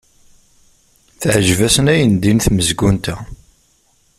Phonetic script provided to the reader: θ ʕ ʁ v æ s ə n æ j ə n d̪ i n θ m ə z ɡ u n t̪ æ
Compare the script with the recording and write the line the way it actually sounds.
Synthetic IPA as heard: θ ʕ ʒ v æ s ə n æ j ə n d̪ i n θ m ə z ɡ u n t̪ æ